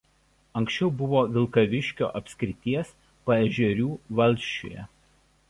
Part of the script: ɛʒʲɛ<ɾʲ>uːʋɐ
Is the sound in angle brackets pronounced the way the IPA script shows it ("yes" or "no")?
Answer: yes